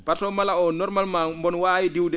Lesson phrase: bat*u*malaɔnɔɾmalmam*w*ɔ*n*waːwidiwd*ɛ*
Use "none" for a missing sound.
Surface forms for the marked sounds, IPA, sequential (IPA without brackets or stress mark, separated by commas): ɔ, b, n, ɛ